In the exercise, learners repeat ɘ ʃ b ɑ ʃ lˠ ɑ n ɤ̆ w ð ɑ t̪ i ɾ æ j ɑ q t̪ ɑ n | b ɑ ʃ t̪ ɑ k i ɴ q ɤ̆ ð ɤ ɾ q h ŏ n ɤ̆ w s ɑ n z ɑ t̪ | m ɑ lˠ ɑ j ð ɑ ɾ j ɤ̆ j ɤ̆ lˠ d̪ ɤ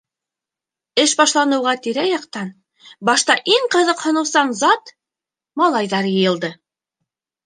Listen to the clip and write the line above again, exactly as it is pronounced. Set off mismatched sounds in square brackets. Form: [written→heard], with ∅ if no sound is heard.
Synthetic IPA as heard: ɘ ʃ b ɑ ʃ lˠ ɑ n ɤ̆ w [ð→ʁ] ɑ t̪ i ɾ æ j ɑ q t̪ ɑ n | b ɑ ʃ t̪ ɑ [k→ʔ] i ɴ q ɤ̆ ð ɤ [ɾ→∅] q h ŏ n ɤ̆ w s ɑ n z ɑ t̪ | m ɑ lˠ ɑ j ð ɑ ɾ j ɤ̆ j ɤ̆ lˠ d̪ ɤ